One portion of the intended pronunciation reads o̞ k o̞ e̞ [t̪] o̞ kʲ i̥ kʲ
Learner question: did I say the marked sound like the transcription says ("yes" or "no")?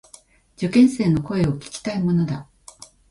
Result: no